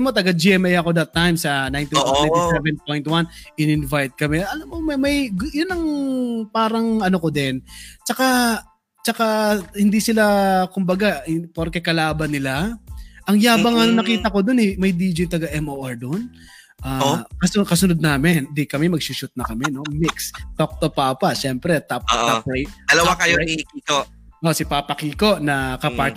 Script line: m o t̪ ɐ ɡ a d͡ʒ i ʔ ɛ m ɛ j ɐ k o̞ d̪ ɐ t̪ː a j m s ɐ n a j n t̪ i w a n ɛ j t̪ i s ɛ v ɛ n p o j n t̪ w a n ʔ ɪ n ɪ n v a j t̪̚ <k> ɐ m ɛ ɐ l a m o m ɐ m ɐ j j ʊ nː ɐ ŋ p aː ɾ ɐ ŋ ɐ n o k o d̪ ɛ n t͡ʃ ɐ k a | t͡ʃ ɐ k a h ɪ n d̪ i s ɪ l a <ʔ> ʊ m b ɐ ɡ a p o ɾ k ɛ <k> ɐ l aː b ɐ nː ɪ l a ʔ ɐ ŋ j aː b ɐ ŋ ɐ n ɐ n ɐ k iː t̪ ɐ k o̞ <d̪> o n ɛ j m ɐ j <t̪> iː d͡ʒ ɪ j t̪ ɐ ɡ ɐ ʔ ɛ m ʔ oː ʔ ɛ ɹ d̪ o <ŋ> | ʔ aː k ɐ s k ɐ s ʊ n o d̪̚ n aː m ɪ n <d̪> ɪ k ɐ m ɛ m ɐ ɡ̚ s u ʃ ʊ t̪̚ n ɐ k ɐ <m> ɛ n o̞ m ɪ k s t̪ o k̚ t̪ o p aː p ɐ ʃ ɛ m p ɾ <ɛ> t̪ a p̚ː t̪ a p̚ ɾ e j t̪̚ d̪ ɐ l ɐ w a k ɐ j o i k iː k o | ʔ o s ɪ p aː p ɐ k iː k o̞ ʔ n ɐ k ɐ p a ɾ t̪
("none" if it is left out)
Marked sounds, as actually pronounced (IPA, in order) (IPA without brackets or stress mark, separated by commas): k, k, k, d̪, d̪, n, d̪, m, ɛ